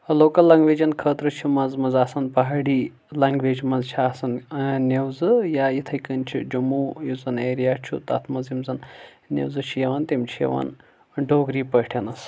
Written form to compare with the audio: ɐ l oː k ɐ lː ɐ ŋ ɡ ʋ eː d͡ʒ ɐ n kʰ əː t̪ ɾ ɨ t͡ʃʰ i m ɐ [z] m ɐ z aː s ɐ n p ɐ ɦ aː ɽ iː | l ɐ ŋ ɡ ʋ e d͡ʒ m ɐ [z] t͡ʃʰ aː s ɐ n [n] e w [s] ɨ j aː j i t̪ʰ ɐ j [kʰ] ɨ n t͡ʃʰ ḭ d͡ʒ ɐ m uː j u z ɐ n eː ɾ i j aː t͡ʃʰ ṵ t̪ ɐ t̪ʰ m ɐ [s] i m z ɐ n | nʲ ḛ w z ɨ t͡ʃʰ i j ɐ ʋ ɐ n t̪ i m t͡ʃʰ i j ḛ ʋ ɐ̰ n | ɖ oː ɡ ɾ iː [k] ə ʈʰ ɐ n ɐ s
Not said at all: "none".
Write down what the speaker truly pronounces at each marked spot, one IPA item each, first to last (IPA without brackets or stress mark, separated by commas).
z, z, n, z, k, z, p